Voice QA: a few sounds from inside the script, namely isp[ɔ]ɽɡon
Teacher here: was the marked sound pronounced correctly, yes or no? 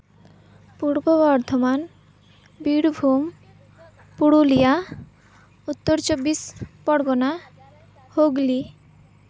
yes